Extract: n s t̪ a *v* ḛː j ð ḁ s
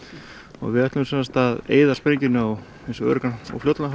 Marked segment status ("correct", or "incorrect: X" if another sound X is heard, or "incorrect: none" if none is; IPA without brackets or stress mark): incorrect: ð